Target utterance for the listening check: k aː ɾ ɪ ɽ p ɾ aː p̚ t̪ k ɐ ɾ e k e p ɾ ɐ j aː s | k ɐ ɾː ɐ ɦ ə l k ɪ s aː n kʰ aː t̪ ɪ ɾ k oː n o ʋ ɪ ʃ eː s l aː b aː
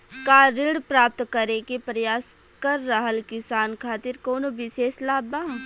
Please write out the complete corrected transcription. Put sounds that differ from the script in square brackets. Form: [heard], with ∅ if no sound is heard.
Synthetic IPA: k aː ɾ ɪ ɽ p ɾ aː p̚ t̪ k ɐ ɾ e k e p ɾ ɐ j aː s | k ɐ ɾː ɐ ɦ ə l k ɪ s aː n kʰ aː t̪ ɪ ɾ k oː n o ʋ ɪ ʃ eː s l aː b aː